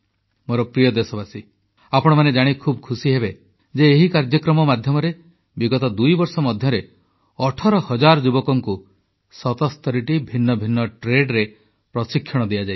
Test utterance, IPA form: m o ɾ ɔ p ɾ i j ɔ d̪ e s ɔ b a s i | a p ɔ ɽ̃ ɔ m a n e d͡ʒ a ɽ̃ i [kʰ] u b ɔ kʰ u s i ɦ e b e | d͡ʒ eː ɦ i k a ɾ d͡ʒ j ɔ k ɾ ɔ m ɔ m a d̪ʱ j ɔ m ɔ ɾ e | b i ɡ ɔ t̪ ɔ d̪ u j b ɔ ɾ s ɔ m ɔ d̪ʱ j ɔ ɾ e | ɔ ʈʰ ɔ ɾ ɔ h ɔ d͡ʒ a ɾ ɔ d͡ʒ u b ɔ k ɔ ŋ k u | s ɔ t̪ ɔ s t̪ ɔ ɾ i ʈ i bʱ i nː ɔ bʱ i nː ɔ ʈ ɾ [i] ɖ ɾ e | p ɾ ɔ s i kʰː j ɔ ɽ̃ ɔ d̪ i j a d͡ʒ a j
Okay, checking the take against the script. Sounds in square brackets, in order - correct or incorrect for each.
correct, incorrect: e

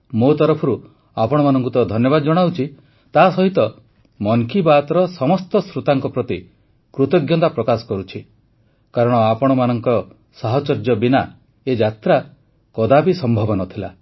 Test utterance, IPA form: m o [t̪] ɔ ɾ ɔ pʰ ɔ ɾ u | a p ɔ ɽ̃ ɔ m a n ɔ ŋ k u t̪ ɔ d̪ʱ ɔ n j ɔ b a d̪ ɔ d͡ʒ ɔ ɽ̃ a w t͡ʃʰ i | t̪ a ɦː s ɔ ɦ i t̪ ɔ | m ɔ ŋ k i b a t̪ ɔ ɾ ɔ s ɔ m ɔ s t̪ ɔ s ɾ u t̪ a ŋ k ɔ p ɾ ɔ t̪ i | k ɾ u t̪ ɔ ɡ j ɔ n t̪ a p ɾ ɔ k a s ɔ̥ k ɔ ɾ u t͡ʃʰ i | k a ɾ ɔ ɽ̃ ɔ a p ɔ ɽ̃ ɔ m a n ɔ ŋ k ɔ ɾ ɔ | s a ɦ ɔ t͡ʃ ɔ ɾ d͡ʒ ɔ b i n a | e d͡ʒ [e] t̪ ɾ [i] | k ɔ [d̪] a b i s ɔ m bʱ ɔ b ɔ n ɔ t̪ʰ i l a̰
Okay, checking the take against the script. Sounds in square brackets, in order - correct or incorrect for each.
correct, incorrect: a, incorrect: a, correct

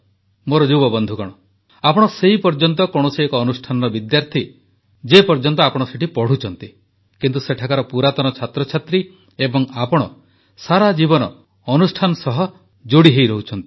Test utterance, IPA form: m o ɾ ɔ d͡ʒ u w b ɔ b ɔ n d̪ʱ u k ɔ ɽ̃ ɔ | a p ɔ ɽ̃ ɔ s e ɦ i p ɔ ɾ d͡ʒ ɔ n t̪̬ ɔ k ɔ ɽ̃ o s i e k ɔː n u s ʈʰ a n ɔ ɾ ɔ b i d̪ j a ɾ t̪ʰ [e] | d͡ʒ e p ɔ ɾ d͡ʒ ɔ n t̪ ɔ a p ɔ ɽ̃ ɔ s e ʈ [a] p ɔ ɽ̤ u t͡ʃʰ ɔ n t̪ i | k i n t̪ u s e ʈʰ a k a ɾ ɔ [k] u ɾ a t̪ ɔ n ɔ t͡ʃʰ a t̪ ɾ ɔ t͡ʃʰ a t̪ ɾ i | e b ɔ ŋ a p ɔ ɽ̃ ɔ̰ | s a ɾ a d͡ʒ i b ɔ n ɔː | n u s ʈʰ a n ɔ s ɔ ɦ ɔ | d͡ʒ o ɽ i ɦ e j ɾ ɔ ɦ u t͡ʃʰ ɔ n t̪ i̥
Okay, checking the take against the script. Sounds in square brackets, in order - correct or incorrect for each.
incorrect: i, incorrect: i, incorrect: p

